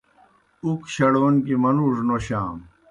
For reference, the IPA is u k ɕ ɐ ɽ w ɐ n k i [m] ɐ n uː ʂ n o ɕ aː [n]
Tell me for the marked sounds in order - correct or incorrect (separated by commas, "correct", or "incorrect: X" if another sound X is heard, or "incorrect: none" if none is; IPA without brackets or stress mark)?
correct, incorrect: m